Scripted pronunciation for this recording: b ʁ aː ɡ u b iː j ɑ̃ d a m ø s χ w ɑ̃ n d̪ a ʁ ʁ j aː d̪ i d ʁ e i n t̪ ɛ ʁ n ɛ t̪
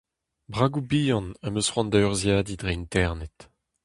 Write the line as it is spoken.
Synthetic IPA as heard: b ʁ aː ɡ u b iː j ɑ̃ n a m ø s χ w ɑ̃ n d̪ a ʁ z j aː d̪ i d ʁ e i n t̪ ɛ ʁ n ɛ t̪